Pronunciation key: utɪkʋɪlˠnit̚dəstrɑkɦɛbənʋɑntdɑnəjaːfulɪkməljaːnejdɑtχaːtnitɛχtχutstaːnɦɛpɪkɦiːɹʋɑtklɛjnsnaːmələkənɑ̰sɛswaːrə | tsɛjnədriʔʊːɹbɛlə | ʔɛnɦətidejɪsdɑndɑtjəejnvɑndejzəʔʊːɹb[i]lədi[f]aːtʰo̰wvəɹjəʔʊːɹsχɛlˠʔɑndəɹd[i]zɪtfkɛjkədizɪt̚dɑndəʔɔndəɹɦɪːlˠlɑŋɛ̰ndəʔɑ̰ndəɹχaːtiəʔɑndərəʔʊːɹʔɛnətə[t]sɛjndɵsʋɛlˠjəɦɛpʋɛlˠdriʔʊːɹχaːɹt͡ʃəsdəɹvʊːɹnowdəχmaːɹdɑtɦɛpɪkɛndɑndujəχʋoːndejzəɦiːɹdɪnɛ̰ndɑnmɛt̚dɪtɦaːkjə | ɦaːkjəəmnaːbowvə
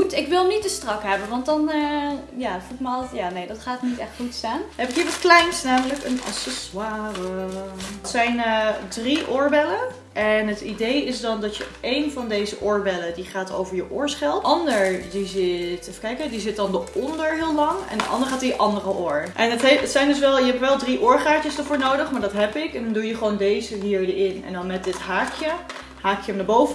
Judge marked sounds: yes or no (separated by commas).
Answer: no, no, yes, yes